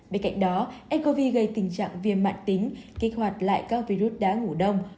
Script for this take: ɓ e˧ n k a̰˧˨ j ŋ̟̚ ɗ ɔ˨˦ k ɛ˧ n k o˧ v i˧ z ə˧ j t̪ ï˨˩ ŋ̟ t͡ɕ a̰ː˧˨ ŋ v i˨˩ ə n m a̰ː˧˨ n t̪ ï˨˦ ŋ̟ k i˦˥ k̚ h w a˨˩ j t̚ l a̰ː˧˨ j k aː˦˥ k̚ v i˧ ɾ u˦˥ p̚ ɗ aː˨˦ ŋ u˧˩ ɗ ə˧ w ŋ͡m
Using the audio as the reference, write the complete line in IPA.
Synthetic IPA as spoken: ɓ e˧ n k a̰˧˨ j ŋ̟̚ ɗ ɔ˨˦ ʔ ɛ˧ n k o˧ v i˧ ɣ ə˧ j t̪ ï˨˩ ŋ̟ t͡ɕ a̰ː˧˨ ŋ v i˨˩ ə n m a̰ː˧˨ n t̪ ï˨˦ ŋ̟ k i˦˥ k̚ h w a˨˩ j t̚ l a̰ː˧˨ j k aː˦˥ k̚ v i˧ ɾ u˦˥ t̚ ɗ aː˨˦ ŋ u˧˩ ɗ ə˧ w ŋ͡m

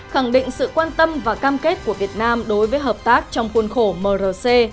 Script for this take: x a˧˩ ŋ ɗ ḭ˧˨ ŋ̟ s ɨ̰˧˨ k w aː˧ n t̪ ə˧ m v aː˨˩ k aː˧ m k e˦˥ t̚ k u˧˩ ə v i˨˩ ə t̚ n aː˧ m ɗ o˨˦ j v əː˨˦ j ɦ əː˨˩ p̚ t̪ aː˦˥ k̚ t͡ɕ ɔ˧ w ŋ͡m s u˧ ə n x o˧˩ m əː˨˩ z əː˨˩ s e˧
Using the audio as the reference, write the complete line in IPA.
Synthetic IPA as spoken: x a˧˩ ŋ ɗ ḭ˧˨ ŋ̟ s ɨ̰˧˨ k w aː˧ n t̪ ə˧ m v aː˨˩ k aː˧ m k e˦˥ t̚ k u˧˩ ə v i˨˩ ə t̚ n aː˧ m ɗ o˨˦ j v əː˨˦ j ɦ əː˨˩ p̚ t̪ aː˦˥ k̚ t͡ɕ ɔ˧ w ŋ͡m x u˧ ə n x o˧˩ m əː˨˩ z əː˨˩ s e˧

